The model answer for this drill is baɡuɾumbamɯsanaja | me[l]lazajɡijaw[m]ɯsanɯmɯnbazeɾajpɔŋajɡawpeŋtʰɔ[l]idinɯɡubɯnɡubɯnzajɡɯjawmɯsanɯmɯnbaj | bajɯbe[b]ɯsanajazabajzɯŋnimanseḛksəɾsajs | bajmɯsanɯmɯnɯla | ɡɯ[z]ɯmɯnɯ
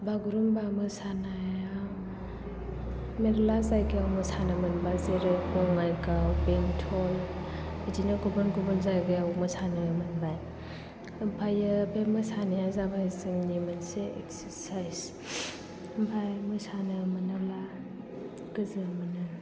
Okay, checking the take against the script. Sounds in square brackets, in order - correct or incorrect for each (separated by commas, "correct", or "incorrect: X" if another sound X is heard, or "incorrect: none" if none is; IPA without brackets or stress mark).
incorrect: ɾ, correct, correct, incorrect: m, correct